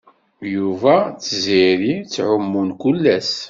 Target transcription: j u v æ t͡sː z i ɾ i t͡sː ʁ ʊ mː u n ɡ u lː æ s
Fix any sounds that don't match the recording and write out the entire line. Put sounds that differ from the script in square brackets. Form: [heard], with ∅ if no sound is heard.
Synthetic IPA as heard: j u v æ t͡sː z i ɾ i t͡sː [ʕ] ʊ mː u n [k] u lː æ s